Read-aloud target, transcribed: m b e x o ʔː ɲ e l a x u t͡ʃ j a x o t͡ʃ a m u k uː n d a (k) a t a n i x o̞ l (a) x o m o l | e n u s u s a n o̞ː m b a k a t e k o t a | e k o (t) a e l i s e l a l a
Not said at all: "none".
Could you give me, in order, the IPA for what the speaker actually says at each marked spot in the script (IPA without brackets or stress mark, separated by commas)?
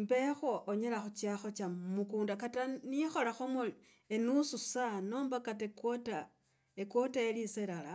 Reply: k, a, t